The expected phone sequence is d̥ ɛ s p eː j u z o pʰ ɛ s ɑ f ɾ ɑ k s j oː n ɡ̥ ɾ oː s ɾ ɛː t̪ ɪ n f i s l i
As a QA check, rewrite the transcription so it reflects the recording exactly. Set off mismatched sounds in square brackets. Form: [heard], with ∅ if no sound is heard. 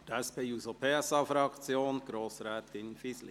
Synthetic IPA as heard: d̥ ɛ s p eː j u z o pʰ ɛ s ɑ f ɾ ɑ k [t͡s] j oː n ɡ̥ ɾ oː s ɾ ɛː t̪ ɪ n f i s l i

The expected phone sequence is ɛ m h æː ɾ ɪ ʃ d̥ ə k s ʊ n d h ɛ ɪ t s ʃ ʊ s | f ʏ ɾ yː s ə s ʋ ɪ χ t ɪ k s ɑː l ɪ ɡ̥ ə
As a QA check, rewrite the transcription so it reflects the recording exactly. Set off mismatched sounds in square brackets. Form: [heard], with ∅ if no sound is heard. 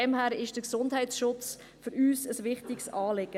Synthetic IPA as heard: ɛ m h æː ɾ ɪ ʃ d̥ ə k s ʊ n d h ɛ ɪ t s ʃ ʊ [t͡s] | f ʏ ɾ yː s ə s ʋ ɪ χ t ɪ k s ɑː l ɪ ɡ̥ ə

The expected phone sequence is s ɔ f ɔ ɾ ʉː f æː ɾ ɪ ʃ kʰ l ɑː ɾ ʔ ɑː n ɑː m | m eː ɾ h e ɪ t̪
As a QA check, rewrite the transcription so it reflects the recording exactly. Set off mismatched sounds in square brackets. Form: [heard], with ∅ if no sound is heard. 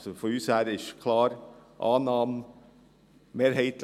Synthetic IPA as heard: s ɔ f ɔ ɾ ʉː [s] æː ɾ ɪ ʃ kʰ l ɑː ɾ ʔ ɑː n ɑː m | m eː ɾ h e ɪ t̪

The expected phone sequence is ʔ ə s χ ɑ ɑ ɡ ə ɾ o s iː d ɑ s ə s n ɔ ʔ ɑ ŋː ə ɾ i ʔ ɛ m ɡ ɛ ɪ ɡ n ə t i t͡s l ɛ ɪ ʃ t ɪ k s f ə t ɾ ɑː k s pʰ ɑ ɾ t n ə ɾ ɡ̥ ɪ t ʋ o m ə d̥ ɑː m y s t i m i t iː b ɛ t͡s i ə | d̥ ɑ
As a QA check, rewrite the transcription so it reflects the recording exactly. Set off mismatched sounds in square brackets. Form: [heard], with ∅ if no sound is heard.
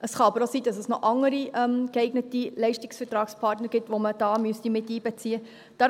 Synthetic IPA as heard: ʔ ə s χ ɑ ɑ [b] ə ɾ o s iː d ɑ s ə s n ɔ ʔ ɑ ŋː ə ɾ i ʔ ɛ m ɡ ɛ ɪ ɡ n ə t i [∅] l ɛ ɪ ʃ t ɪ k s f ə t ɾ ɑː k s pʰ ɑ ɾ t n ə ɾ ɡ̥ ɪ t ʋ o m ə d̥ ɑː m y s t i m [ɪ] t iː b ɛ t͡s i ə | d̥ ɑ

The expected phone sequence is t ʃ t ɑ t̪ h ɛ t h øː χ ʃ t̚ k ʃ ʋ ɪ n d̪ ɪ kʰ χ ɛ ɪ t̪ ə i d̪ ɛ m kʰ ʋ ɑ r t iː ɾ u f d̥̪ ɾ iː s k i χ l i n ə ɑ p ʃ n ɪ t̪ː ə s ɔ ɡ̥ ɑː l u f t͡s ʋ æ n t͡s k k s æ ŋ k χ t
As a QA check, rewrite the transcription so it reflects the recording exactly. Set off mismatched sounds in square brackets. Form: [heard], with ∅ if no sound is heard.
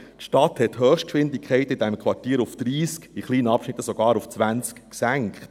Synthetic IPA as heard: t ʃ t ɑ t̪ h ɛ t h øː χ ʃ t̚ k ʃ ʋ ɪ n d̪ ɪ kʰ χ ɛ ɪ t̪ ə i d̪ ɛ m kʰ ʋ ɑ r t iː ɾ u f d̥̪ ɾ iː s k i χ l [iː] n ə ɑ p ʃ n ɪ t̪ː ə s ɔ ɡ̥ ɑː [ɾ] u f t͡s ʋ æ n t͡s k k s æ ŋ k χ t

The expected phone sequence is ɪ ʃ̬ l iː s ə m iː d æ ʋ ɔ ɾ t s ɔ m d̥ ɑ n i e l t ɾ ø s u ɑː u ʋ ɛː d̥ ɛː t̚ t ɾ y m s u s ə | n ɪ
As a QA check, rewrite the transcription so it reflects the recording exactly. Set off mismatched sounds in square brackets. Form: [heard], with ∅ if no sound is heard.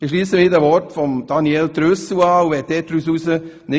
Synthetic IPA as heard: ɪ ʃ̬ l iː s ə m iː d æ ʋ ɔ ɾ t [f] ɔ m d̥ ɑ n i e l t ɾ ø s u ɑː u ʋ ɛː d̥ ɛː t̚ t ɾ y [∅] s u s ə | n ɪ

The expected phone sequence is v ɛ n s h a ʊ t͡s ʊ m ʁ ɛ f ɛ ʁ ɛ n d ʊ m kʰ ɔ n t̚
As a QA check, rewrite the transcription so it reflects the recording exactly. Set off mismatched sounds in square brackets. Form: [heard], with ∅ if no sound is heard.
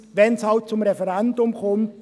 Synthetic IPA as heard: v ɛ n s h a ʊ t͡s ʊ m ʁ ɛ f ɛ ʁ ɛ n d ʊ m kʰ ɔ [m] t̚

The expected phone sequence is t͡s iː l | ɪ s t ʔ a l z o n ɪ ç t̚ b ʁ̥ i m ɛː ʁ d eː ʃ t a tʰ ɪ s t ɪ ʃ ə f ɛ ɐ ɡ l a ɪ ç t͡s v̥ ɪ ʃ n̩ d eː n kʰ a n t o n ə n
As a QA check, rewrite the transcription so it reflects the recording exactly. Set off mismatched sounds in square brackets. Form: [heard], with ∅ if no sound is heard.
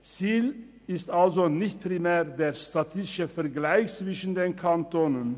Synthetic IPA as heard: t͡s iː l | ɪ s t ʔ a l z o n ɪ ç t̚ [p] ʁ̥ i m ɛː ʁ d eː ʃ t a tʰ ɪ s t ɪ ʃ ə f ɛ ɐ ɡ l a ɪ ç t͡s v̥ ɪ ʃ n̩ d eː n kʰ a n t o n ə n

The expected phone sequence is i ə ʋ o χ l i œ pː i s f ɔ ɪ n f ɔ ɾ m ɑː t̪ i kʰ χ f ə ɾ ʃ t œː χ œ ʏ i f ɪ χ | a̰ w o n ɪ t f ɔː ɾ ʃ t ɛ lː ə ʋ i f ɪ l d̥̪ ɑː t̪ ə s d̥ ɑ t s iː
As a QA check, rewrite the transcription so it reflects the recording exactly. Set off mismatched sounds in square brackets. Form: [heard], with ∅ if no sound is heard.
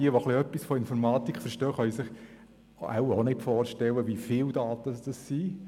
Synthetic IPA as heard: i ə ʋ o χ l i œ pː i s f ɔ ɪ n f ɔ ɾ m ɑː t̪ i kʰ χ f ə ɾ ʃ t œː χ œ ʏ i [s] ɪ χ | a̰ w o n ɪ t f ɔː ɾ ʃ t ɛ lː ə ʋ i f ɪ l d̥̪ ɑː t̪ ə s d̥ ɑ [s] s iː

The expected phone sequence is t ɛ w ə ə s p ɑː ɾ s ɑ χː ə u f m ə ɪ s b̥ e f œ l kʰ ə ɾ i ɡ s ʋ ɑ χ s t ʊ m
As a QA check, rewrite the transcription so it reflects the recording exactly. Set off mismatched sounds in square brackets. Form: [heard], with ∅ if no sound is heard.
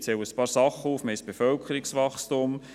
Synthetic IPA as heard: [t͡s] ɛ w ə ə s p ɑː ɾ s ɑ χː ə u f m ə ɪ s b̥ e f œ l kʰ ə ɾ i [k] s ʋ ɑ χ s t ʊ m

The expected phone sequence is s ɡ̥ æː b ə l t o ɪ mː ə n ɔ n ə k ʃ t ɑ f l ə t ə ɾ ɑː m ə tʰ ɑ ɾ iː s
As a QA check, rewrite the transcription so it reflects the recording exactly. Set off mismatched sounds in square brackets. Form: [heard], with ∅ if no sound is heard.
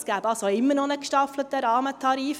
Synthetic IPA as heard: s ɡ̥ æː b [ɑ] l [s] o ɪ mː ə n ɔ n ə k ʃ t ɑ f l ə t ə ɾ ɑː m ə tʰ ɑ ɾ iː [f]

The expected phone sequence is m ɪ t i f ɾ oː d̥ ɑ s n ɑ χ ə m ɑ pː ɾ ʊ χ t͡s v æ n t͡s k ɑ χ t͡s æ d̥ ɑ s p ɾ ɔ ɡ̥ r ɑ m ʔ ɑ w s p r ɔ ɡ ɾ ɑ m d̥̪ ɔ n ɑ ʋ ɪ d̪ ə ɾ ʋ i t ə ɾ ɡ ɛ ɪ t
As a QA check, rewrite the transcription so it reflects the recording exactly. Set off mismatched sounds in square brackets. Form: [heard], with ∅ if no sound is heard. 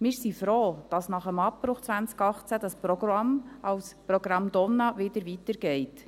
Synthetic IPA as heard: m ɪ [s] i f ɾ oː d̥ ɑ s n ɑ χ ə m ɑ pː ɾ ʊ χ t͡s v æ n t͡s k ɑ χ t͡s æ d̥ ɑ s p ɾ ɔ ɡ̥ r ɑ m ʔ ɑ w s p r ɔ ɡ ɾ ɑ m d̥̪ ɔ n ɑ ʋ ɪ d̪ ə ɾ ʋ i t ə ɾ ɡ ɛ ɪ t

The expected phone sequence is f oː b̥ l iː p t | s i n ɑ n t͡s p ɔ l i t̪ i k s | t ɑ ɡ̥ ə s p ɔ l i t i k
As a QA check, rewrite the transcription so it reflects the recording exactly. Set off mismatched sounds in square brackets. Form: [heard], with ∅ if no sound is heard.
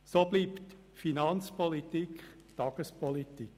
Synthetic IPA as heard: [s] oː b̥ l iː p t | [f] i n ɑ n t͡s p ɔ l i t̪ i k [χ] | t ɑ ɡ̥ ə s p ɔ l i t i k

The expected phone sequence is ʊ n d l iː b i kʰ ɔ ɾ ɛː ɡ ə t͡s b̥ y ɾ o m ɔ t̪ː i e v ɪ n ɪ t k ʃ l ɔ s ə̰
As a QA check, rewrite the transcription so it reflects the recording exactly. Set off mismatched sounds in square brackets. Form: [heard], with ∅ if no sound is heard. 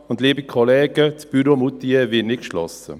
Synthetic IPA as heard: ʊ n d l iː b i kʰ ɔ [l] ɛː ɡ ə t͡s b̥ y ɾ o m [u] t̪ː i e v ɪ n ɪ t k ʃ l ɔ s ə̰

